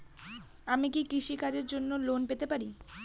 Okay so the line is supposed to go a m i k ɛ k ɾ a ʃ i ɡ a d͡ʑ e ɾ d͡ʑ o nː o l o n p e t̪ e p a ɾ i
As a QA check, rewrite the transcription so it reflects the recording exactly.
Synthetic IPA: a m i k i k ɾ i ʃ i k a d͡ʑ e ɾ d͡ʑ o nː o l o n p e t̪ e p a ɾ i